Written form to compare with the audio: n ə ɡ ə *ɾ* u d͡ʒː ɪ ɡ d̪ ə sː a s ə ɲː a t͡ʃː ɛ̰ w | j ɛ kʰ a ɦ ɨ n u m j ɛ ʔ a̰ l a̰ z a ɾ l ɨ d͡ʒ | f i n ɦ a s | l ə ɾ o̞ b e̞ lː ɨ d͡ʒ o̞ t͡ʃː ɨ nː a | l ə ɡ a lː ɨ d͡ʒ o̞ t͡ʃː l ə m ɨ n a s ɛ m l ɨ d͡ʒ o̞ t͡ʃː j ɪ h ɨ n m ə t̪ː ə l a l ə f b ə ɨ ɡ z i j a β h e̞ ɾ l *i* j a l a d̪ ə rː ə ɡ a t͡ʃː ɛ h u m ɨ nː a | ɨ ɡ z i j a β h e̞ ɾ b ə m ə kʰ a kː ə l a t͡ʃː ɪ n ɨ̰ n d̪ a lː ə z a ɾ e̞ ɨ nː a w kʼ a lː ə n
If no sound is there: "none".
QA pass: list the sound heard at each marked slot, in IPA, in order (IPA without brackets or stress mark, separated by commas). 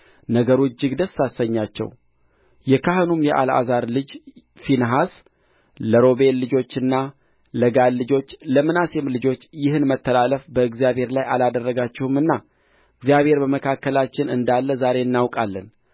ɾ, a